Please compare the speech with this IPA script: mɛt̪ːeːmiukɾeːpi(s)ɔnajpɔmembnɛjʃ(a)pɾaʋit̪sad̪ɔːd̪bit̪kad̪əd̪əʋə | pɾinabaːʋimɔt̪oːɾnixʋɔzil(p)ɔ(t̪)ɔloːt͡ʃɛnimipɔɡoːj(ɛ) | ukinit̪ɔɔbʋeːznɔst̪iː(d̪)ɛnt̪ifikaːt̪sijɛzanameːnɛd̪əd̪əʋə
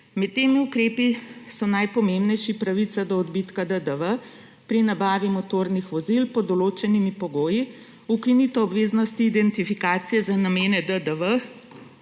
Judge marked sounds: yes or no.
yes, no, yes, no, no, yes

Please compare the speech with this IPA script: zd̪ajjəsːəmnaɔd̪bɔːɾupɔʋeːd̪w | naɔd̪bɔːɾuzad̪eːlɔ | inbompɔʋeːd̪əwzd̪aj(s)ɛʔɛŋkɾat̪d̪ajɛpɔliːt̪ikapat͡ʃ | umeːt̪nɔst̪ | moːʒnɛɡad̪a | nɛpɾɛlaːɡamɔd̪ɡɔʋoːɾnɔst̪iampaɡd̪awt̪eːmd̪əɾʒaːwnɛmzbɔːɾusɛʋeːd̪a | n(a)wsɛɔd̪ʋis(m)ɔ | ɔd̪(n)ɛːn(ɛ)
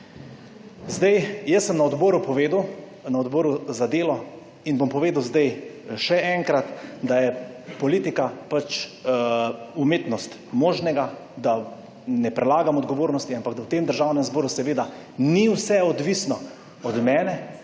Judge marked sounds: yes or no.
no, no, no, no, yes

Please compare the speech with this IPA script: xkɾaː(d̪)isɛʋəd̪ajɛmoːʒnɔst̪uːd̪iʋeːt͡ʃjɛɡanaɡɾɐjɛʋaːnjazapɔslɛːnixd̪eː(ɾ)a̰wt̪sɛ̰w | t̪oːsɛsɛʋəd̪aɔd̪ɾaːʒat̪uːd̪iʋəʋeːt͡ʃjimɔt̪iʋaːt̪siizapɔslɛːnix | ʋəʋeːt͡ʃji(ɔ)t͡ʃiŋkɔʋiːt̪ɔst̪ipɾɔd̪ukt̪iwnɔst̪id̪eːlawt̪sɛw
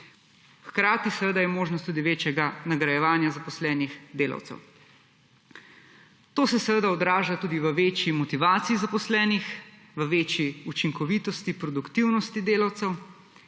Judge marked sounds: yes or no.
no, no, no

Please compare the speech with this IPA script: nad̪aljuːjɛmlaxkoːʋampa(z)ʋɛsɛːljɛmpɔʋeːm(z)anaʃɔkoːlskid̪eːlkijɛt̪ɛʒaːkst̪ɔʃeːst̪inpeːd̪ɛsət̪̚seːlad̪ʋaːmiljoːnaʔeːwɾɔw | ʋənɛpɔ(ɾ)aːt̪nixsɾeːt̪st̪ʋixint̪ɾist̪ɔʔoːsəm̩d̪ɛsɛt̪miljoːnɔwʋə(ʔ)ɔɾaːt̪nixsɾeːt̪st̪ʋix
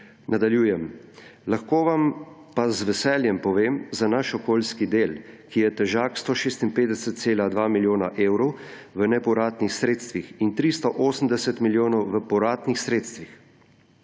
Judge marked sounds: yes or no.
yes, yes, yes, no

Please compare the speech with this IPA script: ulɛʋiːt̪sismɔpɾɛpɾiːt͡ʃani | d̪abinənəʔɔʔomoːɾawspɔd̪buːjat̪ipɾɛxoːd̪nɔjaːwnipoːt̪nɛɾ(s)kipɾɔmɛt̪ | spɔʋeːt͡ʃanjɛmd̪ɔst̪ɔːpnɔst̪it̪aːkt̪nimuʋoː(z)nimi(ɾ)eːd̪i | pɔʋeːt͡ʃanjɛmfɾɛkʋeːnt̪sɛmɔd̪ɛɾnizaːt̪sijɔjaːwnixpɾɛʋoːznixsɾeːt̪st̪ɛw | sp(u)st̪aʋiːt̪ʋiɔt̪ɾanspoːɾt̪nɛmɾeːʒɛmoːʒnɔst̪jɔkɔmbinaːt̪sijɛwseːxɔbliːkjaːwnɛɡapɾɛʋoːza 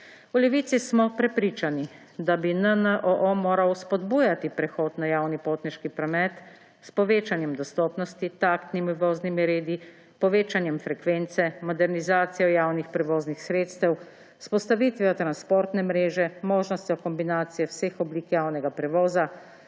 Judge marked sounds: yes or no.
no, yes, yes, no

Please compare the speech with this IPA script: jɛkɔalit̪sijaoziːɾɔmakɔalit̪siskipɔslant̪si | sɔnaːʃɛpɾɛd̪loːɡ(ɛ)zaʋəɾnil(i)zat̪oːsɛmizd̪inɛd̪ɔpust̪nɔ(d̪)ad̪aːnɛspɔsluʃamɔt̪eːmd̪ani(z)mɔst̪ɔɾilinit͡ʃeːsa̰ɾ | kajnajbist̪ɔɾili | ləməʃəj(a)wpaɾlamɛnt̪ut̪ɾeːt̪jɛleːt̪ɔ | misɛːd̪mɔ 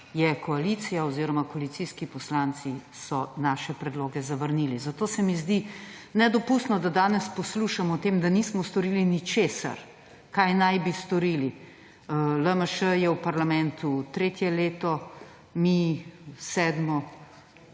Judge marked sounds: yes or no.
yes, yes, yes, no, no

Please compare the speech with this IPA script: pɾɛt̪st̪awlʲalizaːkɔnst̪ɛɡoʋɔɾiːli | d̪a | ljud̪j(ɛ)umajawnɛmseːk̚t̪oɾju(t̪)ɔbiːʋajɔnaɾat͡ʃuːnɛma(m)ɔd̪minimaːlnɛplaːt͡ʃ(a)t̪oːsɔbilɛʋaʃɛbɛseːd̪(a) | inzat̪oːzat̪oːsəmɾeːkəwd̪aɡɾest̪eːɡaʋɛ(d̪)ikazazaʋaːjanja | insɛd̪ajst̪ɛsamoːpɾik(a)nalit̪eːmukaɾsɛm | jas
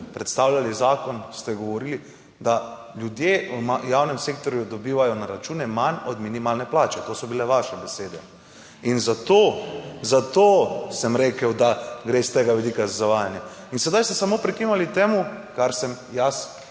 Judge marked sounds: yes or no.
no, no, no, no, no, yes, no

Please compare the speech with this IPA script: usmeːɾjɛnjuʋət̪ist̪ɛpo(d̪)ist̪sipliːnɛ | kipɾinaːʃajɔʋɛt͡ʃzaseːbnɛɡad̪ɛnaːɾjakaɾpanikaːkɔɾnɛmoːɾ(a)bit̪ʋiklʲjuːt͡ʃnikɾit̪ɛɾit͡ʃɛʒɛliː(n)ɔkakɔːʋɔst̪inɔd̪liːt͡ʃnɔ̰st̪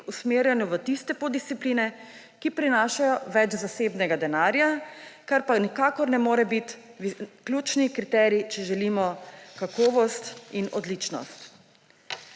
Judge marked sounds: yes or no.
yes, no, no

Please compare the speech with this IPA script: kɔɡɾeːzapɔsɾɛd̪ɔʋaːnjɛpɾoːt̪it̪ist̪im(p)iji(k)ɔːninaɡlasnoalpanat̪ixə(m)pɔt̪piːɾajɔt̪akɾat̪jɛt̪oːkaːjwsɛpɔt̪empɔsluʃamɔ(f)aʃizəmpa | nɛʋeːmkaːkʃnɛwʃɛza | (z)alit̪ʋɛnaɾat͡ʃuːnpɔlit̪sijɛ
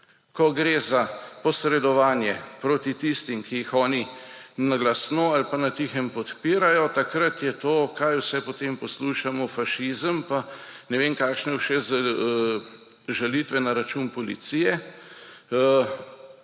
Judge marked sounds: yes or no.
no, no, yes, yes, no

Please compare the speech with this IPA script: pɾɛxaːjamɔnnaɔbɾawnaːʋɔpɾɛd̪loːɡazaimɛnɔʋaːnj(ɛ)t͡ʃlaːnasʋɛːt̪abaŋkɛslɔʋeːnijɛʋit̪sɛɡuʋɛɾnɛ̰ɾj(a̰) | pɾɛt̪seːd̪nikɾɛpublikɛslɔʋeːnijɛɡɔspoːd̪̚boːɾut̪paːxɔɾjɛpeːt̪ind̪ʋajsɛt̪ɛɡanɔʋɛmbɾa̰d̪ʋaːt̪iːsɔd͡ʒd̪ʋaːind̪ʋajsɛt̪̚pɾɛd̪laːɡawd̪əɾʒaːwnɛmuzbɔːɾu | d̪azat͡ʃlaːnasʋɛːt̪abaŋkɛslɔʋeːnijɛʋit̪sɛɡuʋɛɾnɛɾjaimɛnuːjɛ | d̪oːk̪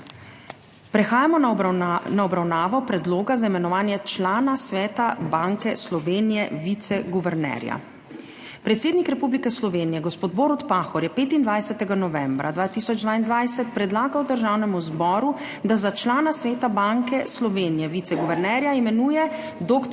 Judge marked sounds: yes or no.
yes, yes

